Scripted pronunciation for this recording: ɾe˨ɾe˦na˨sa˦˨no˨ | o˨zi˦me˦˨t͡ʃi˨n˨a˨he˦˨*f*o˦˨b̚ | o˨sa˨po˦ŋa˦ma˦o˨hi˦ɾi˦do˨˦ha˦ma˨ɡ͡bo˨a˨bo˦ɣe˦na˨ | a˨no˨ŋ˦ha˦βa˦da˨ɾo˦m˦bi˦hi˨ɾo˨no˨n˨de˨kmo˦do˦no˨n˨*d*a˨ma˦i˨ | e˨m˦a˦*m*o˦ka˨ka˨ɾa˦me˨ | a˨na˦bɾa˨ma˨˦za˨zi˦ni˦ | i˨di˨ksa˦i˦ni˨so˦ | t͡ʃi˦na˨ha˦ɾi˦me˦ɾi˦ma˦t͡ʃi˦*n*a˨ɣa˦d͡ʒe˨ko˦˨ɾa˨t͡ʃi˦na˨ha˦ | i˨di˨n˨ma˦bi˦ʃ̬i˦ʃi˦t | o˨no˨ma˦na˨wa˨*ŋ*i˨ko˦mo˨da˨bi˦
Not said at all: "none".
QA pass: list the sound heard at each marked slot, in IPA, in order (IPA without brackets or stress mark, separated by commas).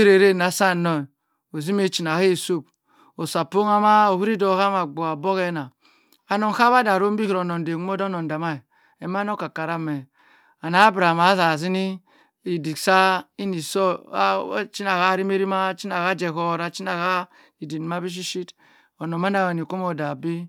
s, d, n, n, n